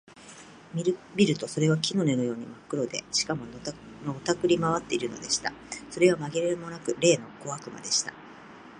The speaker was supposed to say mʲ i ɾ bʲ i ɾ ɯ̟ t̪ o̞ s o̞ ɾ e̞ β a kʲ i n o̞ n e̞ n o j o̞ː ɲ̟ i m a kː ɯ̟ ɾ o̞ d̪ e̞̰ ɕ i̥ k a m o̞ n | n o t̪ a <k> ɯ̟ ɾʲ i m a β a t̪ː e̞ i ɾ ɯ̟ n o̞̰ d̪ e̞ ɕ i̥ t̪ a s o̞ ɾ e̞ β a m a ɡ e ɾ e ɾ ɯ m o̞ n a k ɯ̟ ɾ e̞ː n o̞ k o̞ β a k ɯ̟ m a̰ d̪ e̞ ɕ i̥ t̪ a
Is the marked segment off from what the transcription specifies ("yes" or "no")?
no